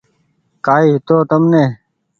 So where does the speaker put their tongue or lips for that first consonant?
velum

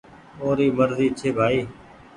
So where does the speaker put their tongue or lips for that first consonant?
tongue tip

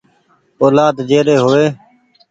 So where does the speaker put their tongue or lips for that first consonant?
tongue tip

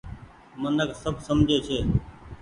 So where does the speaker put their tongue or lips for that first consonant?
lips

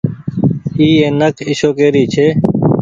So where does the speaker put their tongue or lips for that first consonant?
tongue tip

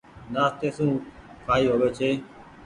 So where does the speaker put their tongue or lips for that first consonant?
tongue tip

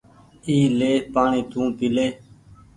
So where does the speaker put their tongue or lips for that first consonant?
tongue tip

